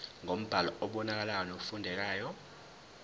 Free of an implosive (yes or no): no